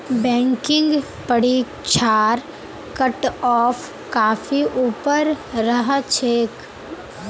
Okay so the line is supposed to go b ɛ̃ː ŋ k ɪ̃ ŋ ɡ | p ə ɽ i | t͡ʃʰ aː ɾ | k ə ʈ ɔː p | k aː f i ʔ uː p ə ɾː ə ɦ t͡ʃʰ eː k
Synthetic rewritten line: b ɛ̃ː ŋ k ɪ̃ ŋ ɡ | p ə ɽ i | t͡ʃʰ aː ɾ | k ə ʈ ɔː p | k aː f i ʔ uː p ə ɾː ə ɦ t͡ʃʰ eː k